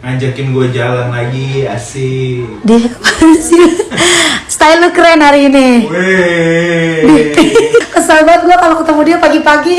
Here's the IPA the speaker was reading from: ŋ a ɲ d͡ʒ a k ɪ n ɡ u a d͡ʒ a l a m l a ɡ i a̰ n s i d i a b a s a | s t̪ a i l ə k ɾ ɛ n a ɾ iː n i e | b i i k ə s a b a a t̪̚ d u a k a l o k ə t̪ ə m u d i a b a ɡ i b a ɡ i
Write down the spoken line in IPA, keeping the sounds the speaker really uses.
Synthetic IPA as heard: ŋ a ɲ d͡ʒ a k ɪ n ɡ u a d͡ʒ a l a n l a ɡ i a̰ s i d i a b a s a | s t̪ a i l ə k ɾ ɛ n a ɾ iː n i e | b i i k ə s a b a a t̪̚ ɡ u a k a l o k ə t̪ ə m u d i a p a ɡ i p a ɡ i